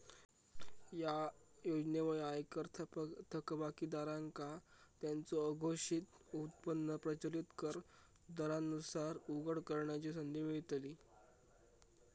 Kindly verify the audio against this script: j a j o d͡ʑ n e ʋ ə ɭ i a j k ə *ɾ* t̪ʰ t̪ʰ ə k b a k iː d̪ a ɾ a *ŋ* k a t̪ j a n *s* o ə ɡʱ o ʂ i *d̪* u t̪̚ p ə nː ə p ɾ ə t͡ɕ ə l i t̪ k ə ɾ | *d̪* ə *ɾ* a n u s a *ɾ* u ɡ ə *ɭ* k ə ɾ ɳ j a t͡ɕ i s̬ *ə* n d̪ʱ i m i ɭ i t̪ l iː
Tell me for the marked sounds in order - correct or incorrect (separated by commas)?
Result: correct, correct, incorrect, incorrect, correct, correct, correct, incorrect, correct